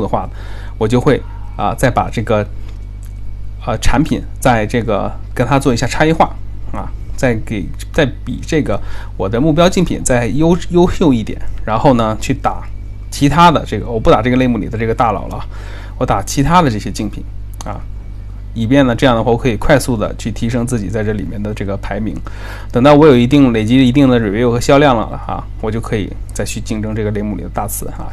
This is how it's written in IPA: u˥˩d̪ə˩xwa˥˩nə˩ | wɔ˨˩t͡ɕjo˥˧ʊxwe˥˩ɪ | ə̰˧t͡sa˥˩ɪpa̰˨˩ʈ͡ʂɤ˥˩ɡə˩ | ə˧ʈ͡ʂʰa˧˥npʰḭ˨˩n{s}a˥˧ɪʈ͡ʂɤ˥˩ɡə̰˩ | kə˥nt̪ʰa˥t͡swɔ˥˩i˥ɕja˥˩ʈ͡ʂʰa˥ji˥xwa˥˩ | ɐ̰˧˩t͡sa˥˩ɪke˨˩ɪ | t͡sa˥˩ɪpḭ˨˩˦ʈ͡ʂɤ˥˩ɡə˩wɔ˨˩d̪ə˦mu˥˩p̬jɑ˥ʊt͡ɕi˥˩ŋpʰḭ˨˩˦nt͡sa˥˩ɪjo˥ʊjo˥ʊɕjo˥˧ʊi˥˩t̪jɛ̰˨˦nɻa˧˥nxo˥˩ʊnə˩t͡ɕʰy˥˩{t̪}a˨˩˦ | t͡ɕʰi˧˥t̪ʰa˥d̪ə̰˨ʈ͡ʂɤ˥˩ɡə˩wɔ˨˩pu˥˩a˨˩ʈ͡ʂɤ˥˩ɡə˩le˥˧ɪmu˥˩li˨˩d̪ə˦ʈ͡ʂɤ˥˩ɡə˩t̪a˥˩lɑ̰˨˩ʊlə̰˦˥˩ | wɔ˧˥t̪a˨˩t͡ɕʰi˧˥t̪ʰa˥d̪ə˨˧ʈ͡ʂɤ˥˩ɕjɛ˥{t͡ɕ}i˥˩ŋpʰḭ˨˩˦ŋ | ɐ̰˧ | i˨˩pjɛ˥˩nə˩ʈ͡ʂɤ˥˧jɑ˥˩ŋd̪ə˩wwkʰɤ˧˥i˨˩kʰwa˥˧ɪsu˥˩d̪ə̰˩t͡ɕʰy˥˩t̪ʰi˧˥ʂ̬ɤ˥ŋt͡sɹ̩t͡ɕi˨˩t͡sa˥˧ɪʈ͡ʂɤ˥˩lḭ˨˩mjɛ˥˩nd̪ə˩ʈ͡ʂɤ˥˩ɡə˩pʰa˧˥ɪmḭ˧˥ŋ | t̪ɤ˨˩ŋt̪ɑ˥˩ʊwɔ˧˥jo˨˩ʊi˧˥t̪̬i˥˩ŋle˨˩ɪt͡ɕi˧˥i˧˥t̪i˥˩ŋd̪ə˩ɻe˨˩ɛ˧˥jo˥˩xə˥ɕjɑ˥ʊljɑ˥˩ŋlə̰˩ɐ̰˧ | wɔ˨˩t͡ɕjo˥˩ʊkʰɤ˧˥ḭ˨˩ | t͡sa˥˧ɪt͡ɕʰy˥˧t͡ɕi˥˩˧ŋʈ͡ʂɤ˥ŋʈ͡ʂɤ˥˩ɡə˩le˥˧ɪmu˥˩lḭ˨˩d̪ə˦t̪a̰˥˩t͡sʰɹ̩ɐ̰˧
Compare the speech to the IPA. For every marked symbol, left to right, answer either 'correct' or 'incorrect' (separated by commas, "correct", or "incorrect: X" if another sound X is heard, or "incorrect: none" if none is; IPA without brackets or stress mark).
incorrect: t͡s, correct, correct